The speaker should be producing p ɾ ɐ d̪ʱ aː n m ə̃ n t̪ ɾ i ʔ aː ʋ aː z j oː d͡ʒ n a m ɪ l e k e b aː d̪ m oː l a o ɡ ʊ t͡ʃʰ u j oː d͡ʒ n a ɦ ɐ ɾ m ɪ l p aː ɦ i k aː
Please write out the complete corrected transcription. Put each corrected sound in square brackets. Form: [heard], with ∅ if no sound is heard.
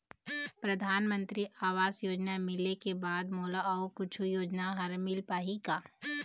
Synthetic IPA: p ɾ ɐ d̪ʱ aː n m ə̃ n t̪ ɾ i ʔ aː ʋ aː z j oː d͡ʒ n a m ɪ l e k e b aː d̪ m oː l a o [k] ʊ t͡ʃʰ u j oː d͡ʒ n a ɦ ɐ ɾ m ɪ l p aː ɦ i k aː